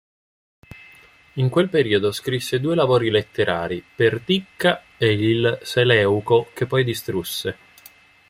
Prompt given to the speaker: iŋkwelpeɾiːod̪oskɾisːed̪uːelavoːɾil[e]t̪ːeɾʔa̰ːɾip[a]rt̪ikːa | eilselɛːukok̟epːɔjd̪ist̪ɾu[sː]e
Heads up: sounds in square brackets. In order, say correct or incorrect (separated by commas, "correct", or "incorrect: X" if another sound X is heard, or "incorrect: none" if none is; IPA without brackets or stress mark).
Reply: correct, incorrect: e, correct